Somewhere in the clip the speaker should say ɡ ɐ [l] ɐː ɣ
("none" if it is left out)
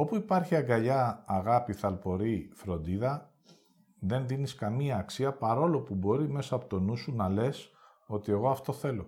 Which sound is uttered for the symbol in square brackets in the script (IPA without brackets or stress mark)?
ʎ